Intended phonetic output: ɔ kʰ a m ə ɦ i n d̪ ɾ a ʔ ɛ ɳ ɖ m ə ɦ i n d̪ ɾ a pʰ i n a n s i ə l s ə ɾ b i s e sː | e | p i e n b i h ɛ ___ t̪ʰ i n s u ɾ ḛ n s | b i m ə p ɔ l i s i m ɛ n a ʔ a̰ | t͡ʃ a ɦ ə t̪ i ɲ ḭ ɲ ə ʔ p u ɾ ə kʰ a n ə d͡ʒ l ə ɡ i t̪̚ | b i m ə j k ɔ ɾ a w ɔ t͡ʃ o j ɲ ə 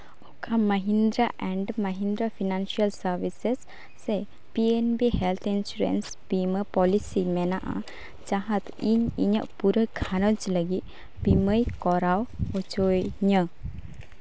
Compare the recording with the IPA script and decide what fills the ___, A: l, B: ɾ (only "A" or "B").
A